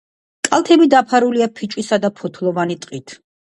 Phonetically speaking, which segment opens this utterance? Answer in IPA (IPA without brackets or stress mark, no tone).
kʼ